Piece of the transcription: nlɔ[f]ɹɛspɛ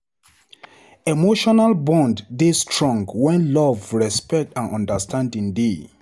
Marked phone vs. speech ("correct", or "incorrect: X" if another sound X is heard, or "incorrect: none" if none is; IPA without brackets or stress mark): incorrect: v